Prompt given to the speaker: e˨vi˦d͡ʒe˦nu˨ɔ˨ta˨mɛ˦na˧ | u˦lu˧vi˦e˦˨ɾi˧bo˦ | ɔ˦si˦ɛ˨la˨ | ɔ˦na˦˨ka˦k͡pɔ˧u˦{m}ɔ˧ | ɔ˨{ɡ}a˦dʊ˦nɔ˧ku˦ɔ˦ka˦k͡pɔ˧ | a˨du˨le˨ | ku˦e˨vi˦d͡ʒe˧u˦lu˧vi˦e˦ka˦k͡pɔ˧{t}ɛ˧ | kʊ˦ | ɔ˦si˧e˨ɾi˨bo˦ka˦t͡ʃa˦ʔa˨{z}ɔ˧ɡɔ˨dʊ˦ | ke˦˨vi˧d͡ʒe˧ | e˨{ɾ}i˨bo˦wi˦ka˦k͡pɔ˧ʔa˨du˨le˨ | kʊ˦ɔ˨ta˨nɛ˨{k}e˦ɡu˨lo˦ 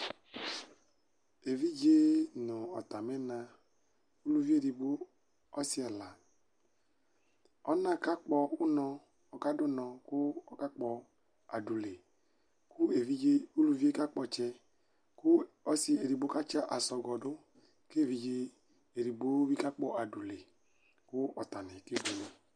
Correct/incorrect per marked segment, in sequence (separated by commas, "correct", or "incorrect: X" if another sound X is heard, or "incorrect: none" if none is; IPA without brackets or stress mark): incorrect: n, incorrect: k, incorrect: t͡ʃ, incorrect: s, correct, correct